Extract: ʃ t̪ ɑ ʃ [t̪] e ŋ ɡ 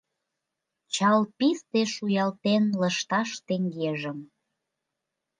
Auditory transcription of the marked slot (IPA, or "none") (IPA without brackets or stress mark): t̪